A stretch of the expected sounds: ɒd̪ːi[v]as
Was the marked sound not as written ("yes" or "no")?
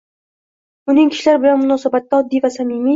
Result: no